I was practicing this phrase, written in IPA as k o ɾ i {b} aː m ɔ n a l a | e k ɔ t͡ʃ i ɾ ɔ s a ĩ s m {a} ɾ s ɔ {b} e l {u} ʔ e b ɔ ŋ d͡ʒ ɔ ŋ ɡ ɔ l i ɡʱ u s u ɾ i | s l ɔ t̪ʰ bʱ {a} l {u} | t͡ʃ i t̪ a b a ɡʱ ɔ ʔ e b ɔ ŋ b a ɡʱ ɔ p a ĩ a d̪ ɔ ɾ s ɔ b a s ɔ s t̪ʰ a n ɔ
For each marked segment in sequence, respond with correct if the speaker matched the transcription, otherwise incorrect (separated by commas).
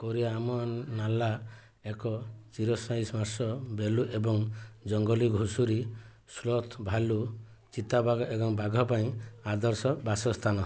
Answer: incorrect, correct, correct, correct, correct, correct